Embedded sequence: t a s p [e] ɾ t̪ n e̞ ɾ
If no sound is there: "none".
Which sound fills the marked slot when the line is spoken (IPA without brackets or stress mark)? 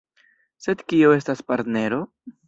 a